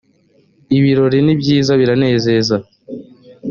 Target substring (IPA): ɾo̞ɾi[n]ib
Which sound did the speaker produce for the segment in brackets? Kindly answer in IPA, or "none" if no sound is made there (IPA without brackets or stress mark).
n